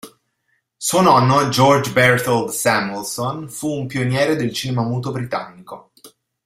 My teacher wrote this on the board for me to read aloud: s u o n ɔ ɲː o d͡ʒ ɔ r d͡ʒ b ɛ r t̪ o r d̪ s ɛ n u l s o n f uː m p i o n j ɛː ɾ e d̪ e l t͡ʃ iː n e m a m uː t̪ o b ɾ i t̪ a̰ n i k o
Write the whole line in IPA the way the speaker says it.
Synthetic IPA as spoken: s u o n ɔ nː o d͡ʒ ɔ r d͡ʒ b ɛ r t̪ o l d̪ s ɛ m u l s o n f uː m p i o n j ɛː ɾ e d̪ e l t͡ʃ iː n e m a m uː t̪ o b ɾ i t̪ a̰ nː i k o